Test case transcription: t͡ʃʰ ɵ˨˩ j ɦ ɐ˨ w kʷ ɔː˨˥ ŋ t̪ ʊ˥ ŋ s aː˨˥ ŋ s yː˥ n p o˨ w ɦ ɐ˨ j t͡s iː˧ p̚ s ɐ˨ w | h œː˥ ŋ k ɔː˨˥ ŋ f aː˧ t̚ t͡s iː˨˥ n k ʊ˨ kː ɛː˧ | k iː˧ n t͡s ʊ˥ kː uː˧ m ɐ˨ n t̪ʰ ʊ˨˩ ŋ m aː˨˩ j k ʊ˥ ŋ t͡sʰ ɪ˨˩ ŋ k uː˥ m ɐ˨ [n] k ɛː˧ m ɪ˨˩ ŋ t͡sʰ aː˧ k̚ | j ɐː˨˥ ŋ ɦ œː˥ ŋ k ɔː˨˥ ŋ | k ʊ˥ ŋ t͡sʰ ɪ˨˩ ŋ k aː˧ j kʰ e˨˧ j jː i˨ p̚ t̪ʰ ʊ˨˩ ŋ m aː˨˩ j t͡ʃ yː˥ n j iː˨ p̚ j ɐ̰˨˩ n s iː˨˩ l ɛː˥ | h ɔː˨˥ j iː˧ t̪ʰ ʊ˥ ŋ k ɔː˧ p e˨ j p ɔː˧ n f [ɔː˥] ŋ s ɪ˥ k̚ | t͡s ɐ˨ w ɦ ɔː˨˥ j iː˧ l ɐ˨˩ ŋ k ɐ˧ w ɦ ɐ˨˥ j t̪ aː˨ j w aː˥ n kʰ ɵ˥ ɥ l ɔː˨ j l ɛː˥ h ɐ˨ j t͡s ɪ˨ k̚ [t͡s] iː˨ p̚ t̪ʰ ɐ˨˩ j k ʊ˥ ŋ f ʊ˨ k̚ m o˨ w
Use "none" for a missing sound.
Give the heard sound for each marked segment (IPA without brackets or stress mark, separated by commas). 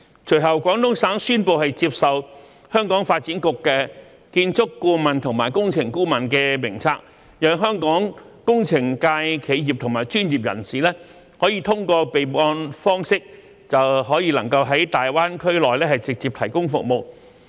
n, ɔː˥, t͡s